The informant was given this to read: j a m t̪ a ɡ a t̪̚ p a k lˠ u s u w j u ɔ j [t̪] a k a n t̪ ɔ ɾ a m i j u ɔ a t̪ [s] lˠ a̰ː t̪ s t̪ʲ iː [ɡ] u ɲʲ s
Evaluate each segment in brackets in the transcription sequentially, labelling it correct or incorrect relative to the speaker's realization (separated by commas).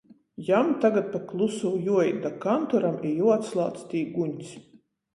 incorrect, correct, correct